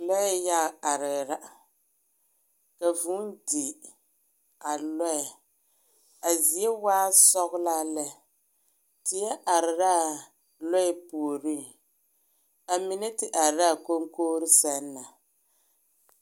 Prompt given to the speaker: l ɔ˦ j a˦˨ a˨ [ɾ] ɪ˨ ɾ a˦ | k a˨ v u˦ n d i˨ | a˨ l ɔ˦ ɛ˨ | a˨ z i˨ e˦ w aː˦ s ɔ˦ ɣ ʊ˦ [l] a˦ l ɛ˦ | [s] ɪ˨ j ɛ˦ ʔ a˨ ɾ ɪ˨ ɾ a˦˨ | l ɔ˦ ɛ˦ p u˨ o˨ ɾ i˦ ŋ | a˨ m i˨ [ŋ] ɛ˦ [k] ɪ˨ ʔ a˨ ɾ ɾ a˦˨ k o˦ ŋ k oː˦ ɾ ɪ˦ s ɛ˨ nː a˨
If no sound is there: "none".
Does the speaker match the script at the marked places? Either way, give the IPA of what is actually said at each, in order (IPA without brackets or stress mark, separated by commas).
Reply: ɾ, l, t, n, t